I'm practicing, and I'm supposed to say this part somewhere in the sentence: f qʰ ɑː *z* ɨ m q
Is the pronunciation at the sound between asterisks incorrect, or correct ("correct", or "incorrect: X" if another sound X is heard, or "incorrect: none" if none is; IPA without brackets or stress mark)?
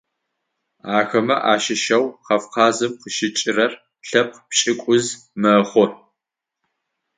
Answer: correct